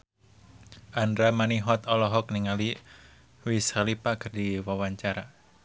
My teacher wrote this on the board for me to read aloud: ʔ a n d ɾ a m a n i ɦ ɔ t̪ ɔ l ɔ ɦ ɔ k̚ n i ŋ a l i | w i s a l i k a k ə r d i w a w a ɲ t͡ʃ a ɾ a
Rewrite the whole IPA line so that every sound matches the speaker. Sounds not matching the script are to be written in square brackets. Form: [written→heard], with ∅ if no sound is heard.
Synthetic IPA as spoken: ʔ a n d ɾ a m a n i ɦ ɔ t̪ ɔ l ɔ ɦ ɔ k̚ n i ŋ a l i | w i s a l i [k→p] a k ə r d i w a w a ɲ t͡ʃ a ɾ a